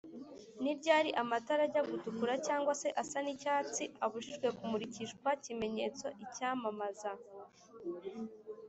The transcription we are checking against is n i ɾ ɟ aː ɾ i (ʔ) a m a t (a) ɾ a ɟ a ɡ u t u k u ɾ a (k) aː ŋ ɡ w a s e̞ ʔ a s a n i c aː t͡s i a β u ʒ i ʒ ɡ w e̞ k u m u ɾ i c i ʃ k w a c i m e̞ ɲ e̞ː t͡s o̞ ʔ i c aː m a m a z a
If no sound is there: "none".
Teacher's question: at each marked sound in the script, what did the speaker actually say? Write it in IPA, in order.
ʔ, a, c

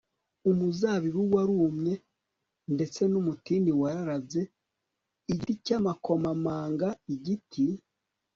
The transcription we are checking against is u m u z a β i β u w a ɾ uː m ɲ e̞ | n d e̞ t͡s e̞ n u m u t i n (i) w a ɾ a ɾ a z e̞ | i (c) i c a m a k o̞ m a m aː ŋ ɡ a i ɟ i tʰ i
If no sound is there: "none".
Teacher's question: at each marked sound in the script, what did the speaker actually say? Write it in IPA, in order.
i, ɟ

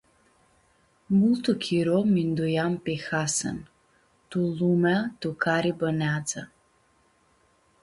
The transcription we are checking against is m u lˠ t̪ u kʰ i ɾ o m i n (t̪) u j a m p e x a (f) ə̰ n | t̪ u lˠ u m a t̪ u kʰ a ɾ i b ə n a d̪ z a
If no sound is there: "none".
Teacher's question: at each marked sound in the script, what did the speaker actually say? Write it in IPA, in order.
d̪, s

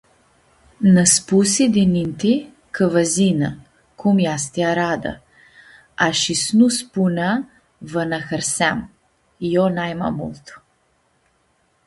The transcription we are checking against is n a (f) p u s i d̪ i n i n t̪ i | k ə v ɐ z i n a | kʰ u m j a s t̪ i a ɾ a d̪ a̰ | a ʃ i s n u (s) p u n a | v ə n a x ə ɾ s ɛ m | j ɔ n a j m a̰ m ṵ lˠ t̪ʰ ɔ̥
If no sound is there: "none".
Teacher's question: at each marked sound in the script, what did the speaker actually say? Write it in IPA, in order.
s, s

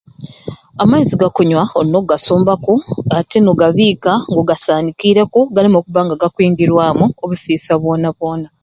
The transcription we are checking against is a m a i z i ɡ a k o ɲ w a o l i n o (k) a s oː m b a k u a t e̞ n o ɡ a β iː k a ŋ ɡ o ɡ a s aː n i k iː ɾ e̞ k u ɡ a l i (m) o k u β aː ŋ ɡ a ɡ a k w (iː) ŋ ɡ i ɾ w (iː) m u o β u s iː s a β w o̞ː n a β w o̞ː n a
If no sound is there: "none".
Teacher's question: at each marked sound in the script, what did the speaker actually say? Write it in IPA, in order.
ɡ, m, iː, aː

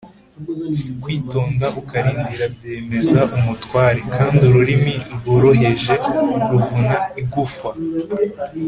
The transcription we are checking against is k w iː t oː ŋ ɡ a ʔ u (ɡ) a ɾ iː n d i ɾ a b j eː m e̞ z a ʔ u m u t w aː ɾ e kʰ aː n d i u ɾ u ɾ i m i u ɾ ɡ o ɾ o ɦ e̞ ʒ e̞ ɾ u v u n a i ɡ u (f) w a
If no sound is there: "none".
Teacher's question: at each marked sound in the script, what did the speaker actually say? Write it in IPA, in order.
k, f

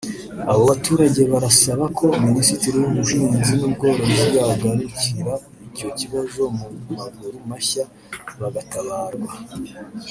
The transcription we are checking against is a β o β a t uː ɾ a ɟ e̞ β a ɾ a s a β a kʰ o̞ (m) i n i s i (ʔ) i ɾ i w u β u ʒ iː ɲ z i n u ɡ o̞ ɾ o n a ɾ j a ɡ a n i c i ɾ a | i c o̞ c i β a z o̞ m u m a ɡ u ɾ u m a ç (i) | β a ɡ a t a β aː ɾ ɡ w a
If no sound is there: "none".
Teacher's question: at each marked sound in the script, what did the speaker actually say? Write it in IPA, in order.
m, t, a

